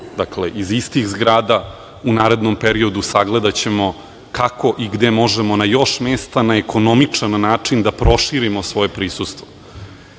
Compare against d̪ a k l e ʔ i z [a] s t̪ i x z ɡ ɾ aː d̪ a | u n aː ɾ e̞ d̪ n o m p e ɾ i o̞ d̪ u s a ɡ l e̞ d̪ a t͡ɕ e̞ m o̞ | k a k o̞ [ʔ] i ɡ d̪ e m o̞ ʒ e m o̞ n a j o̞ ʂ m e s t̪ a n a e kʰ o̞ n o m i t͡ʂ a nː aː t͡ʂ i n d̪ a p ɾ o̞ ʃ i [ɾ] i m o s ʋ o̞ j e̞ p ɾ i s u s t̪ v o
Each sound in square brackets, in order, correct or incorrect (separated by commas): incorrect, correct, correct